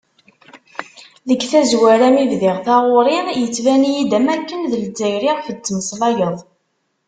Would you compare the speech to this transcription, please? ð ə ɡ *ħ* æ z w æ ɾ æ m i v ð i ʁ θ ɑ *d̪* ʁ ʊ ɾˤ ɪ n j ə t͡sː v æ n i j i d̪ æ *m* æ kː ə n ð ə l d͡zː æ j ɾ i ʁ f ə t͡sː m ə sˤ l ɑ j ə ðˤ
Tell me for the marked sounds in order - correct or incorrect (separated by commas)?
incorrect, incorrect, correct